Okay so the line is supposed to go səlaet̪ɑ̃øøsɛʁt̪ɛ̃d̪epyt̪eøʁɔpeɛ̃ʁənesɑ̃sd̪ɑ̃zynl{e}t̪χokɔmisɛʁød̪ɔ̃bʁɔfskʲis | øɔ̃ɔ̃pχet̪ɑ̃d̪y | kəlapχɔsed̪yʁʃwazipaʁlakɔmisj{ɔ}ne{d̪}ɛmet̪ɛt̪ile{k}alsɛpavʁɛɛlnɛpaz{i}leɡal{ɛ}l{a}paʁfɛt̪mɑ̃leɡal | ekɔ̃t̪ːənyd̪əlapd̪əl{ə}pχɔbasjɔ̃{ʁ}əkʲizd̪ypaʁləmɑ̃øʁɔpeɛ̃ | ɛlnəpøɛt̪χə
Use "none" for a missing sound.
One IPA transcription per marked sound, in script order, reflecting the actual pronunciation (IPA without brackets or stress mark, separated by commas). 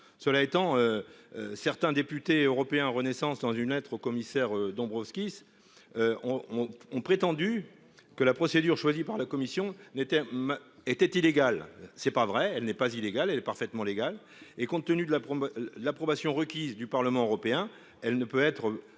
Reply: ɛ, ɔ̃, t̪, ɡ, i, ɛ, ɛ, a, ʁ